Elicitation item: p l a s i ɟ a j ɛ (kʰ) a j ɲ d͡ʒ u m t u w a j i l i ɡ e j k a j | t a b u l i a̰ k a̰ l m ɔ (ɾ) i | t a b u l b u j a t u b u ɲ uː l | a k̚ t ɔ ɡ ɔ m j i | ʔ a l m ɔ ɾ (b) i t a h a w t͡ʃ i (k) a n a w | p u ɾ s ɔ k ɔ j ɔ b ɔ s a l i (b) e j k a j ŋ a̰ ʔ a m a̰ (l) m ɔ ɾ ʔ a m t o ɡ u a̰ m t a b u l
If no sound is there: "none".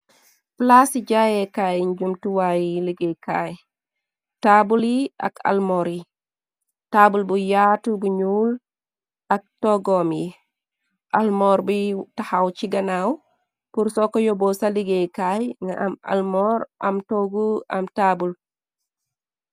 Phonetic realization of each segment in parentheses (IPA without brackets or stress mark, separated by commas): k, ɾ, b, ɡ, ɡ, l